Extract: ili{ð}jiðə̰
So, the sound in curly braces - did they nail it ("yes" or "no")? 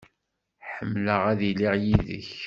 no